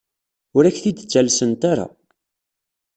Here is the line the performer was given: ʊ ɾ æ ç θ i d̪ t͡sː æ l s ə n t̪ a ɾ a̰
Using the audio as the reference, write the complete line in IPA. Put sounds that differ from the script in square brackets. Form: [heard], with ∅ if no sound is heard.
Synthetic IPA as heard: ʊ ɾ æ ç θ i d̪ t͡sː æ l s ə n t̪ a ɾ a̰